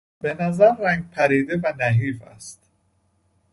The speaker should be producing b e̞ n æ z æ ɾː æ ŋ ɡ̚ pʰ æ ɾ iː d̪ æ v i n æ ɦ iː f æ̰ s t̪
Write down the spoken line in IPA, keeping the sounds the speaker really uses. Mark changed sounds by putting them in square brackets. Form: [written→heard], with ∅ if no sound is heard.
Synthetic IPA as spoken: b e̞ n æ z æ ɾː æ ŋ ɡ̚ pʰ æ ɾ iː d̪ [æ→e] v [i→æ] n æ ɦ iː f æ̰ s t̪